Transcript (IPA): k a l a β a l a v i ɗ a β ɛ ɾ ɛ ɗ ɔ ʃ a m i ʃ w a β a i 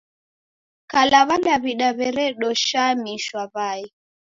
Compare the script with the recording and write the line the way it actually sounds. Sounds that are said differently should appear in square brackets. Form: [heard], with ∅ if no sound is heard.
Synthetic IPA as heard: k a l a β a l a [β] i ɗ a β ɛ ɾ ɛ ɗ ɔ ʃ a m i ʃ w a β a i